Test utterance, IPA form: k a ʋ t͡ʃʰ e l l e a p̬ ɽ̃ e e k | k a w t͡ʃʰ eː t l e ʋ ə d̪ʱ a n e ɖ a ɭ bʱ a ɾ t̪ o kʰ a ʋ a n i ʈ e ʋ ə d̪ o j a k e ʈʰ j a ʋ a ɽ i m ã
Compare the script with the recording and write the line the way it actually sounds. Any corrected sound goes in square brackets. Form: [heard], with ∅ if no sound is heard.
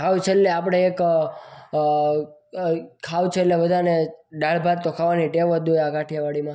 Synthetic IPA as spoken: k a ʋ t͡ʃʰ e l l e a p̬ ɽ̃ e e k | [kʰ] a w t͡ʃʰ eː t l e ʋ ə d̪ʱ a n e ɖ a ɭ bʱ a ɾ t̪ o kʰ a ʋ a n i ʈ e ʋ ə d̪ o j a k [a] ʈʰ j a ʋ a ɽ i m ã